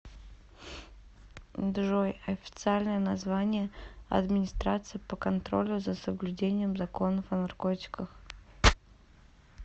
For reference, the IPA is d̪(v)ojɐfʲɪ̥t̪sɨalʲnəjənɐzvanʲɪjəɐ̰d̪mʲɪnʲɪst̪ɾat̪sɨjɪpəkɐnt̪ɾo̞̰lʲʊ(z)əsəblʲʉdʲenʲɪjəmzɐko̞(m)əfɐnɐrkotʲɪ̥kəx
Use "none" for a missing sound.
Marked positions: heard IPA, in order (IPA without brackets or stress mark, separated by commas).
ʐ, z, n